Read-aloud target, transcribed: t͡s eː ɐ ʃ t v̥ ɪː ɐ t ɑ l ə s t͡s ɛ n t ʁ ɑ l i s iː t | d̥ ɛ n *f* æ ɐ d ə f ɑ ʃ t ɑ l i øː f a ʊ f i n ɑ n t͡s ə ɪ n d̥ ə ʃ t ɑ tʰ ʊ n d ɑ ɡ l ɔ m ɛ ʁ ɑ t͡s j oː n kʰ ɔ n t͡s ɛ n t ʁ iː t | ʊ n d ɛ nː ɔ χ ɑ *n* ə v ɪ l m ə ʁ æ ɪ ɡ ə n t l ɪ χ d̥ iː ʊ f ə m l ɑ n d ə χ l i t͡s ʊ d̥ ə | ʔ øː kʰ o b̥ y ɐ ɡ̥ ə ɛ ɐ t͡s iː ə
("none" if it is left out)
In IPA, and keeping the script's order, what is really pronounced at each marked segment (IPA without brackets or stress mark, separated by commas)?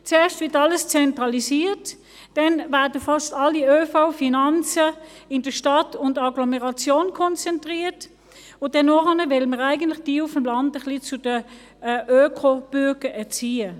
v, n